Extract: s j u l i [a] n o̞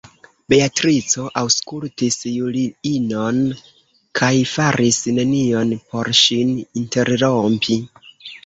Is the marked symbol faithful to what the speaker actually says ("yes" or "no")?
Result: no